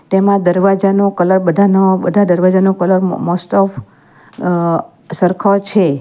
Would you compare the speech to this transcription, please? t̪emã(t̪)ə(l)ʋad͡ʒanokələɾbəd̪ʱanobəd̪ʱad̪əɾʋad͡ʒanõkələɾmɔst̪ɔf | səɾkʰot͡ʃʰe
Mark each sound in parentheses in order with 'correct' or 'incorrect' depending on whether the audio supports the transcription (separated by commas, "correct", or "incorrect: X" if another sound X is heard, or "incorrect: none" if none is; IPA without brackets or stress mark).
incorrect: d̪, incorrect: ɾ